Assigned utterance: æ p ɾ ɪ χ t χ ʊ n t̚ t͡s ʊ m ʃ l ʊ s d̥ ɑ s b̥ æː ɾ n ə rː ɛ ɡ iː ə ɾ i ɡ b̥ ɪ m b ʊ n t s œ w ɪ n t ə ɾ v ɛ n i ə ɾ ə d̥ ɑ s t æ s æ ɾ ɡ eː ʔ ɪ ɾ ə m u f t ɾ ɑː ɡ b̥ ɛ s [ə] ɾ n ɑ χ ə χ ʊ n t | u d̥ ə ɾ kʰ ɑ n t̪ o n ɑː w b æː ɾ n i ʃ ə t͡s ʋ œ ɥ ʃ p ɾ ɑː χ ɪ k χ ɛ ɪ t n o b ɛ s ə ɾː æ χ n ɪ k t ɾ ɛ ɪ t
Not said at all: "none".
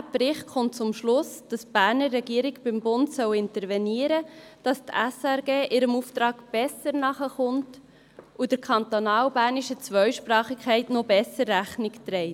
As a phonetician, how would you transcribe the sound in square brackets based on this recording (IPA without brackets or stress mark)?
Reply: ə